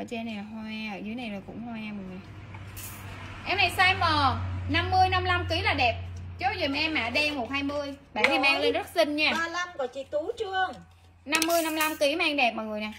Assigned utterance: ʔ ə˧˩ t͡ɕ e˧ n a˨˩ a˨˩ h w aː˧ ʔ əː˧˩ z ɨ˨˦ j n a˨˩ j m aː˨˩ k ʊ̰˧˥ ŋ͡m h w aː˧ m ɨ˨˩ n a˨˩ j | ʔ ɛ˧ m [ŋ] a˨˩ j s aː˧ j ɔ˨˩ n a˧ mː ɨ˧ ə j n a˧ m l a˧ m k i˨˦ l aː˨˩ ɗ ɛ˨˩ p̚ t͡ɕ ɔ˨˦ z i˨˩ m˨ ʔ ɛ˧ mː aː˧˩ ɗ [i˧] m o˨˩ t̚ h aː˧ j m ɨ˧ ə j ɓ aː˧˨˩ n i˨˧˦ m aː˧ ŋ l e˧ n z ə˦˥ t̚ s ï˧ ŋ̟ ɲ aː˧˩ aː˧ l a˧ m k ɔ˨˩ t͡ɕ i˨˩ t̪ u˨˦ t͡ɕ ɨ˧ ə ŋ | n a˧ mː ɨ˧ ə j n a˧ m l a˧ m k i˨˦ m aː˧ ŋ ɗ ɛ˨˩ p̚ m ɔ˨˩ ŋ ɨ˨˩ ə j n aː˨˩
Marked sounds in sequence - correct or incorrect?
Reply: incorrect: n, incorrect: ɛ˧

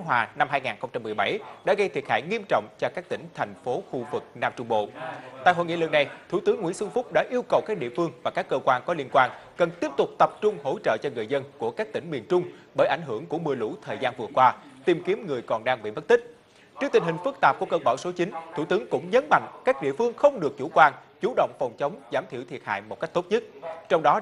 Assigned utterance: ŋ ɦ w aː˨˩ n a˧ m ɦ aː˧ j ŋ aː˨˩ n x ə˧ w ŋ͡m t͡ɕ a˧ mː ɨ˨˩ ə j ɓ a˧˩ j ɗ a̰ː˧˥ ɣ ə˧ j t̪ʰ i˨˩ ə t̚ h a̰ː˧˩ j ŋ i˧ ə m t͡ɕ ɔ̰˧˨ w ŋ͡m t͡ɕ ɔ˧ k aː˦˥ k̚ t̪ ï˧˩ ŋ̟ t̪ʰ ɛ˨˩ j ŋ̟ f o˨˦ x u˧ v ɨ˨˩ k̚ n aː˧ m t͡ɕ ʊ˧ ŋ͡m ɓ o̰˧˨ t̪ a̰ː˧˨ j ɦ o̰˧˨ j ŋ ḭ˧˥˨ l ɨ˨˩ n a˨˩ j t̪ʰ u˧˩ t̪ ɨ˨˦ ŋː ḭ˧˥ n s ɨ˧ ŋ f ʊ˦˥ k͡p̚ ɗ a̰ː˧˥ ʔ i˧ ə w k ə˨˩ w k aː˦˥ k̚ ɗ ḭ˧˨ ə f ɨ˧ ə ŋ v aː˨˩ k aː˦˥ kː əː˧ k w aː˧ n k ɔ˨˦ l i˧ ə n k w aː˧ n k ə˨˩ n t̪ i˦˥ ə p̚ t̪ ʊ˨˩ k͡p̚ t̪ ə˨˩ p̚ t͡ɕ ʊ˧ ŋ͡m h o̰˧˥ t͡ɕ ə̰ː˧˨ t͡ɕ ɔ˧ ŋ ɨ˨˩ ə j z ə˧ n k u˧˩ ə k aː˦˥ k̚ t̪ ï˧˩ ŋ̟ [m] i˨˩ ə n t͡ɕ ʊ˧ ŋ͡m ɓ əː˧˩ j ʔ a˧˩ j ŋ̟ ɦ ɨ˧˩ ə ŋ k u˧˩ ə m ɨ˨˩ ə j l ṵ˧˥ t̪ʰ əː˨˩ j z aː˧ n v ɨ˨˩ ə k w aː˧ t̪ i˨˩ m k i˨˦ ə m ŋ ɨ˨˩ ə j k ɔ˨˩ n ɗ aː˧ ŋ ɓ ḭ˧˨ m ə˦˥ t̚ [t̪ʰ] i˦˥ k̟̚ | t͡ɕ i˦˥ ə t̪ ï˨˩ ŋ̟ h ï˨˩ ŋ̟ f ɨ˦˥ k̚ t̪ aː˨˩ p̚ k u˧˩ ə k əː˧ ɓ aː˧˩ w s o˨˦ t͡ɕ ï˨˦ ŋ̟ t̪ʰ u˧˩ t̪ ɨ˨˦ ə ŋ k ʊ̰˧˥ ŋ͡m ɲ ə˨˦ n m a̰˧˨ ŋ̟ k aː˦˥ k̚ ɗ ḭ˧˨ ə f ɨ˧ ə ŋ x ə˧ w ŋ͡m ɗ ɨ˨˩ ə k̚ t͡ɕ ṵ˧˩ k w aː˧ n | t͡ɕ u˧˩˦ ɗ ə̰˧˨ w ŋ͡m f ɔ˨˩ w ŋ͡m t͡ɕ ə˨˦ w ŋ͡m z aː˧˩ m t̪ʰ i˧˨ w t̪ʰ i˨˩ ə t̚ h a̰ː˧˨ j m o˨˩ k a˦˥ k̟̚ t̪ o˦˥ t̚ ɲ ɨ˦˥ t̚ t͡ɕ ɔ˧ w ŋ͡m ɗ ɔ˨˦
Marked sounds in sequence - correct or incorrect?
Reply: correct, incorrect: t̪

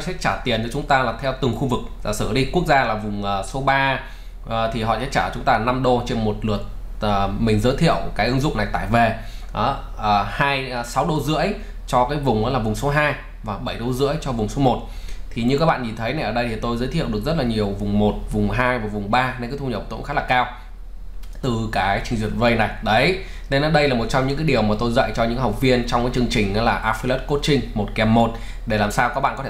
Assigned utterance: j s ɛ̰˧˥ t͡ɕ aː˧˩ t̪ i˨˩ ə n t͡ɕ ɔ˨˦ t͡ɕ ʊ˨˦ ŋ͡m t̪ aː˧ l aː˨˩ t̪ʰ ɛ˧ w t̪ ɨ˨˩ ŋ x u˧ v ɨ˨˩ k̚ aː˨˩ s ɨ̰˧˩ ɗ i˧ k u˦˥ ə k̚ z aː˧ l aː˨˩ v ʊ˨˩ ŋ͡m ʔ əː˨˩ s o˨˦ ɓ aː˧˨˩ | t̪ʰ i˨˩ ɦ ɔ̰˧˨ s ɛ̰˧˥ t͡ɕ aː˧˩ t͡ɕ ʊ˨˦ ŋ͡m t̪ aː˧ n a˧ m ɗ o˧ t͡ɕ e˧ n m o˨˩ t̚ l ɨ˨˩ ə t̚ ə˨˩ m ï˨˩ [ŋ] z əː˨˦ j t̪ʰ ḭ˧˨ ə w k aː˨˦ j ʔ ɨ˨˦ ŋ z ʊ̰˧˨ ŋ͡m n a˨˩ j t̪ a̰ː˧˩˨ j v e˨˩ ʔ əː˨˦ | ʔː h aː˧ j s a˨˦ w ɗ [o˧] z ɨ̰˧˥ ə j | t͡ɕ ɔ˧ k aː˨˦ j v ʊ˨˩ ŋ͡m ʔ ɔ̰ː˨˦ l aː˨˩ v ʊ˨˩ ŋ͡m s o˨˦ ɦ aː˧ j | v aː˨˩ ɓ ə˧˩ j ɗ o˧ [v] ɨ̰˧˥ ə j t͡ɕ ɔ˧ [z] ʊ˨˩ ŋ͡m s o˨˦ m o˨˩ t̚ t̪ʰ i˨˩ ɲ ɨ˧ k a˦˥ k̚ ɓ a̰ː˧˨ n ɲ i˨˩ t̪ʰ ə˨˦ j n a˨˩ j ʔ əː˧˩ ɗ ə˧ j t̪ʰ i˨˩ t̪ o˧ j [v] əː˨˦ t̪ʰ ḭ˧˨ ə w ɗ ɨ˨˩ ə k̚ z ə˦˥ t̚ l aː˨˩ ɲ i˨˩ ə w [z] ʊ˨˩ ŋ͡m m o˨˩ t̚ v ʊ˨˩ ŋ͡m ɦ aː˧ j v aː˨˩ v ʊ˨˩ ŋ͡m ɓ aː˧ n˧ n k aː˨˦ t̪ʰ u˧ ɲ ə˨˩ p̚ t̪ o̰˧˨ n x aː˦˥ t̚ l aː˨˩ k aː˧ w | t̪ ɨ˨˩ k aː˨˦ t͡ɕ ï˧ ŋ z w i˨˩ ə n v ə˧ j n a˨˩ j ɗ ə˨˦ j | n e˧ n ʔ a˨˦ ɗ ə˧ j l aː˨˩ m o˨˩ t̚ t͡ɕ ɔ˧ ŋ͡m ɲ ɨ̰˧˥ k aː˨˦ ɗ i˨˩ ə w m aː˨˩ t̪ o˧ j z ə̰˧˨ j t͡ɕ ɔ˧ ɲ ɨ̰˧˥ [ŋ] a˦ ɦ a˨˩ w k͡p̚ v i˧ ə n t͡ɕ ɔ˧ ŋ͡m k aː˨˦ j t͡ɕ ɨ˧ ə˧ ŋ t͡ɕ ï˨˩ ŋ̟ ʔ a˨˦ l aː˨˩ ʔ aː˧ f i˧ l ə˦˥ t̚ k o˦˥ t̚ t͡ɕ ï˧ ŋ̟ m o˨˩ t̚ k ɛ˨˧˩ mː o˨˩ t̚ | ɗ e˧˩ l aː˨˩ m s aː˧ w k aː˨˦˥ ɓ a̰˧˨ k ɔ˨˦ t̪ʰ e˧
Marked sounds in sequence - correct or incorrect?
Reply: correct, correct, incorrect: z, incorrect: v, incorrect: z, incorrect: v, correct

